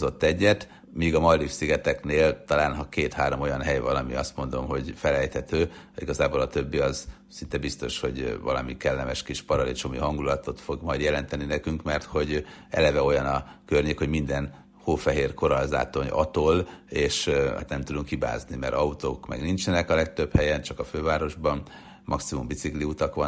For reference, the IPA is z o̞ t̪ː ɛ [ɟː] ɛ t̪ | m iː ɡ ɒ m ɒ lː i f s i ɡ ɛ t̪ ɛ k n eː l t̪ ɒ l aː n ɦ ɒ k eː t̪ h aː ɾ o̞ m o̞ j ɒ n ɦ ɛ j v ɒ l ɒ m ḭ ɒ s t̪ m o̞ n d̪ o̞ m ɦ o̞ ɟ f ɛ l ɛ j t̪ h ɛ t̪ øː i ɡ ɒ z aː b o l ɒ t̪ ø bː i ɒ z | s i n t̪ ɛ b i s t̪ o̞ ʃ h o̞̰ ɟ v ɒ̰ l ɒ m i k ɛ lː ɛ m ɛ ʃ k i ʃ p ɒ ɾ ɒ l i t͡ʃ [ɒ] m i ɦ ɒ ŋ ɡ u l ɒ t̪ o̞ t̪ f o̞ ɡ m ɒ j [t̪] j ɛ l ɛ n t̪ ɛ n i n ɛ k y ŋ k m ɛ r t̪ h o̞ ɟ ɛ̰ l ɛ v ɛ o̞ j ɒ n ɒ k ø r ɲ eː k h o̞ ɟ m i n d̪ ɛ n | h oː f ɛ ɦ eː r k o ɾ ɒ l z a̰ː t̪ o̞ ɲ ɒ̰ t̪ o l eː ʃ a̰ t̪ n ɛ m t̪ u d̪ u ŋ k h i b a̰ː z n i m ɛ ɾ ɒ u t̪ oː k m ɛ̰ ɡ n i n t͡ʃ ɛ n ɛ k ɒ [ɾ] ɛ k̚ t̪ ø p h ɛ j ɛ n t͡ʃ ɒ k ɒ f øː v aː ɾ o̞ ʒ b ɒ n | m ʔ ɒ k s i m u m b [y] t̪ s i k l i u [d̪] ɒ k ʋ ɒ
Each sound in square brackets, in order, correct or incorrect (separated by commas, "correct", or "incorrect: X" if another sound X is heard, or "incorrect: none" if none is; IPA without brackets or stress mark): correct, incorrect: o, incorrect: d̪, incorrect: l, incorrect: i, incorrect: t̪